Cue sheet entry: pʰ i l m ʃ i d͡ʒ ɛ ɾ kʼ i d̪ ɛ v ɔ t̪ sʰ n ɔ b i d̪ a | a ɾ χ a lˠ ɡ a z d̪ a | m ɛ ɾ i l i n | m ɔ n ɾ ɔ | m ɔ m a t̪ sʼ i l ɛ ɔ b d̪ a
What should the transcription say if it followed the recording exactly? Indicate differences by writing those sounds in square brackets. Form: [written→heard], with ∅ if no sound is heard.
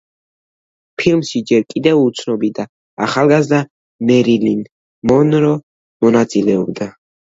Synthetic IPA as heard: pʰ i l m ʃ i d͡ʒ ɛ ɾ kʼ i d̪ ɛ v [ɔ→u] t̪ sʰ n ɔ b i d̪ a | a [ɾ→∅] χ a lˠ ɡ a z d̪ a | m ɛ ɾ i l i n | m ɔ n ɾ ɔ | m ɔ [m→n] a t̪ sʼ i l ɛ ɔ b d̪ a

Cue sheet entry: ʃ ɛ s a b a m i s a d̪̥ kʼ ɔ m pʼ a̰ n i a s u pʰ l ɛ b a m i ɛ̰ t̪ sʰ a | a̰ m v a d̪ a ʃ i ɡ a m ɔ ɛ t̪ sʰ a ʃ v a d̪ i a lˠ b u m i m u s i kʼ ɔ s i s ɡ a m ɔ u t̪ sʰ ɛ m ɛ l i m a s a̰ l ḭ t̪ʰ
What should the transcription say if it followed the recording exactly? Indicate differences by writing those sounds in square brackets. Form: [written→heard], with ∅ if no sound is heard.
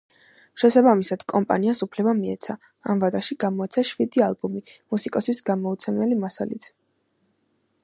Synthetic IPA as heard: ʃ ɛ s a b a m i s a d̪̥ kʼ ɔ m pʼ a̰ n i a s u pʰ l ɛ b a m i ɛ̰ t̪ sʰ a | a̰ m v a d̪ a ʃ i ɡ a m ɔ ɛ t̪ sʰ a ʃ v [a→i] d̪ i a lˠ b u m i m u s i kʼ ɔ s i s ɡ a m ɔ u t̪ sʰ ɛ m ɛ l i m a s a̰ l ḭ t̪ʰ

